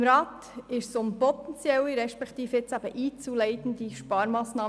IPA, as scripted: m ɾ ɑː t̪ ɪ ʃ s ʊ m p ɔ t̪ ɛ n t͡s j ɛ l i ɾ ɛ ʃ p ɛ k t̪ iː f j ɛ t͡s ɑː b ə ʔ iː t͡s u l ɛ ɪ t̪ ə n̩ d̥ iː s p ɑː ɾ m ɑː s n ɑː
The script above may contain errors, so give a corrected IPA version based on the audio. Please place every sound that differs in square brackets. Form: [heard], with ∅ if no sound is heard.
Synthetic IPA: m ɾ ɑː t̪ ɪ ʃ s ʊ m p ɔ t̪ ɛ n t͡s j ɛ l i ɾ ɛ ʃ p ɛ k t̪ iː f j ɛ t͡s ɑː b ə ʔ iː t͡s u l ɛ ɪ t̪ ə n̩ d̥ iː [ʃ] p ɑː ɾ m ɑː s n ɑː